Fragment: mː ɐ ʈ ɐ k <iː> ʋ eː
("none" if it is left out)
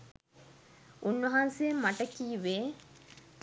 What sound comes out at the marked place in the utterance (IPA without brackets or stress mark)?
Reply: iː